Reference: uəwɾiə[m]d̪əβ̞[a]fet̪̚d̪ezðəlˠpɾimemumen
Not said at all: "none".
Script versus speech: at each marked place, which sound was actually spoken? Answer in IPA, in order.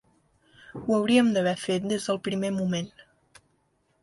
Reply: m, ɛ

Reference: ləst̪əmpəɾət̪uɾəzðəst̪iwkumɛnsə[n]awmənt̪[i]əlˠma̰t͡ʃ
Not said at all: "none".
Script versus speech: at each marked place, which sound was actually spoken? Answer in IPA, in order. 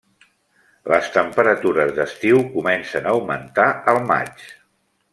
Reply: n, a

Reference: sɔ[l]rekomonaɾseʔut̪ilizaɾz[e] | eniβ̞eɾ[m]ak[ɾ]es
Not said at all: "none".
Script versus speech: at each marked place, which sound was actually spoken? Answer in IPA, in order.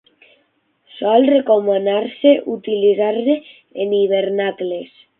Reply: l, e, n, l

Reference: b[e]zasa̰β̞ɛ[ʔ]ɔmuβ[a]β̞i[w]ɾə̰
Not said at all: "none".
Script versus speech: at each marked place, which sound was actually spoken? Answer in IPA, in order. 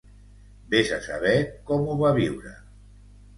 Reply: e, k, a, w

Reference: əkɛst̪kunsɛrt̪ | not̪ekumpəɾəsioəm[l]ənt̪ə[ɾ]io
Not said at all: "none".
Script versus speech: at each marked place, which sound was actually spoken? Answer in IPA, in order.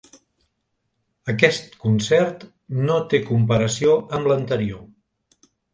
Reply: l, ɾ

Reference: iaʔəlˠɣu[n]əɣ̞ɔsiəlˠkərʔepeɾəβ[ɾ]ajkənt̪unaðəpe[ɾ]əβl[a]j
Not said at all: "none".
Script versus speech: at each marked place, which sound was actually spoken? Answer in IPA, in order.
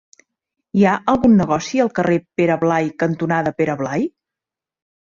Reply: nː, l, ɾ, a

